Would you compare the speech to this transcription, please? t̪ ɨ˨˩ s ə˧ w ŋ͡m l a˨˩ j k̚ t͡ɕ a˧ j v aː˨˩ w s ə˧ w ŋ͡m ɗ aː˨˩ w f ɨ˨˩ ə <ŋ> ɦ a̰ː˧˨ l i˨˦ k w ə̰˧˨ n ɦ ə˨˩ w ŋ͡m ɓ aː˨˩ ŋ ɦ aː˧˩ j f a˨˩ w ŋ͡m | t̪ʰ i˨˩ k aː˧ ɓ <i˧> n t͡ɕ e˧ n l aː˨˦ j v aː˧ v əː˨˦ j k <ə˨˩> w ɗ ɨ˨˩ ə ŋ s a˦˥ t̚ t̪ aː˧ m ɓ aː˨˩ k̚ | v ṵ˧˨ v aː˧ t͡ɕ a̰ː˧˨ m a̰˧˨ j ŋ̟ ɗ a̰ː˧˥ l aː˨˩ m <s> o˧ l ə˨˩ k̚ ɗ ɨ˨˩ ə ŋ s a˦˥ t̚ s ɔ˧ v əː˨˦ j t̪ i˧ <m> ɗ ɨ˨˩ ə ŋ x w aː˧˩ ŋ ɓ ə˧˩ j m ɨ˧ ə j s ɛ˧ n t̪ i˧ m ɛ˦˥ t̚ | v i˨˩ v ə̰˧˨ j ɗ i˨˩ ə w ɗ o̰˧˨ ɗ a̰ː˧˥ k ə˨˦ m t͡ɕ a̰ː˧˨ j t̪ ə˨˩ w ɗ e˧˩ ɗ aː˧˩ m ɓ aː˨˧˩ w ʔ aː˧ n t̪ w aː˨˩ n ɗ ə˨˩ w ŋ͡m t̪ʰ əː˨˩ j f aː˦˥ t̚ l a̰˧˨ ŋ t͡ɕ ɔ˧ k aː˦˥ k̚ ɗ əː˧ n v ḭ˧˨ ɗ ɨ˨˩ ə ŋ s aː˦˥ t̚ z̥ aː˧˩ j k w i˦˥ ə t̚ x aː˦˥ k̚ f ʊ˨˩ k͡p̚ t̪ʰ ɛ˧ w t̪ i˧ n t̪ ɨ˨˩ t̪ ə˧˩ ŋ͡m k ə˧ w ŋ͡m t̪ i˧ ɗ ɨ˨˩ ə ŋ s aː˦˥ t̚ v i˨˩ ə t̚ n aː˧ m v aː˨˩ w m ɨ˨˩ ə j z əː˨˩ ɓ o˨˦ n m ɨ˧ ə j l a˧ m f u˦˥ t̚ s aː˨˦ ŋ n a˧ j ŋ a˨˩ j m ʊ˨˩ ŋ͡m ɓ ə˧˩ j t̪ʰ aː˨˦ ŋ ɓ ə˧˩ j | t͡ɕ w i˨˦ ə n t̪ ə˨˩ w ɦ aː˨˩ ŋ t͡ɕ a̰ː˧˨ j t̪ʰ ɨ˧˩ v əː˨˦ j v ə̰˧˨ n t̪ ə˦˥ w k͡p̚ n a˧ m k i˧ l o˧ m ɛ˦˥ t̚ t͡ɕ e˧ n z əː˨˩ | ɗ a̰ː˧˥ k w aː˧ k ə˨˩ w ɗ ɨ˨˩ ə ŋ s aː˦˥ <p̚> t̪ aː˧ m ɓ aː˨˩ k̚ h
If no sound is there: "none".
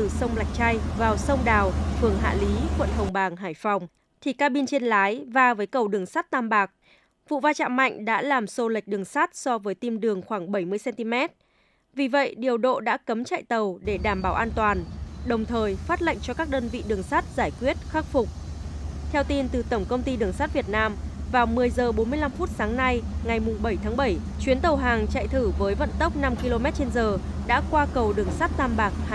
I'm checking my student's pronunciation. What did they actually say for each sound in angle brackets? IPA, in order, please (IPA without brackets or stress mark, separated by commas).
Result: ŋ, i˧, ə˨˩, s, m, t̚